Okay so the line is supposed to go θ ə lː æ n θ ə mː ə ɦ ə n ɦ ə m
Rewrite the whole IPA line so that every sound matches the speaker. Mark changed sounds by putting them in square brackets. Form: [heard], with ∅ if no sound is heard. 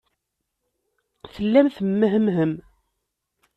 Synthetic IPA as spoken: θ ə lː æ [m] θ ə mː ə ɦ ə [m] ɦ ə m